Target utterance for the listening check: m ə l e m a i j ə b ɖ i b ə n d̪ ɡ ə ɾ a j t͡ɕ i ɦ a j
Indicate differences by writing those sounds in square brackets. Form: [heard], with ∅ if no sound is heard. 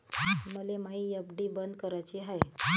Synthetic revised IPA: m ə l e m a i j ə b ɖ i b ə n d̪ [k] ə ɾ a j t͡ɕ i ɦ a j

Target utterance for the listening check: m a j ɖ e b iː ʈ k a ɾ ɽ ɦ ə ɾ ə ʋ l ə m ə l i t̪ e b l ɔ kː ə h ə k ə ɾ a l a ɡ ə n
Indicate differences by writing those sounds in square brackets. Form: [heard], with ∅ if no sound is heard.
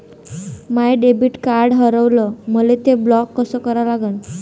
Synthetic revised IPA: m a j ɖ e b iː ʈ k a ɾ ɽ ɦ ə ɾ ə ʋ l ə m ə l [e] t̪ e b l ɔ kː ə [s] ə k ə ɾ a l a ɡ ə n

